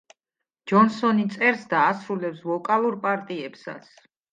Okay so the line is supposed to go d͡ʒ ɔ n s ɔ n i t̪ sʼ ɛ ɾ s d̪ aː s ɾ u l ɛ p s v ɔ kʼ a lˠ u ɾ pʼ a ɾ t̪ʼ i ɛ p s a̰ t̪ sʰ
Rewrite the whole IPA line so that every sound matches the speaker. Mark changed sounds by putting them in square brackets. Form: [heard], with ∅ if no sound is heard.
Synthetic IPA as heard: d͡ʒ ɔ n s ɔ n i t̪ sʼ ɛ ɾ s d̪ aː s ɾ u l ɛ p s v ɔ kʼ a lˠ u ɾ pʼ a ɾ t̪ʼ i ɛ p s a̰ t̪ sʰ